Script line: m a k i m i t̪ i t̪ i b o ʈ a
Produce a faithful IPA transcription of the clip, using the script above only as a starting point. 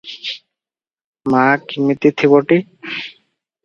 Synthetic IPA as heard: m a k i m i t̪ i t̪ʰ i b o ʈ i